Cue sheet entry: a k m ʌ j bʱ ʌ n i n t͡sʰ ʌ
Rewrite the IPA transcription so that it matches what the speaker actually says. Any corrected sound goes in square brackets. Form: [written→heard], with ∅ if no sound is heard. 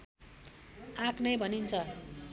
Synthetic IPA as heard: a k [m→n] ʌ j bʱ ʌ n i n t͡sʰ ʌ